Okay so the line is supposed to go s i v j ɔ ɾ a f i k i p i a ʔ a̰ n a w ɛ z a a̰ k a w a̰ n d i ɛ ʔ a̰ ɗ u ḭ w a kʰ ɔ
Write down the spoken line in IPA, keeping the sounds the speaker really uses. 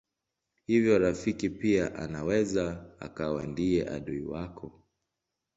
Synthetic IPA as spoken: h i v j ɔ ɾ a f i k i p i a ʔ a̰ n a w ɛ z a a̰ k a w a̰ n d i ɛ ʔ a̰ ɗ u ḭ w a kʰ ɔ